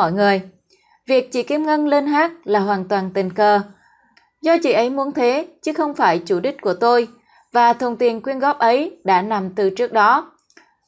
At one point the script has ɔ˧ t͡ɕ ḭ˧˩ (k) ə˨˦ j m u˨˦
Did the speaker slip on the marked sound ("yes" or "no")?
yes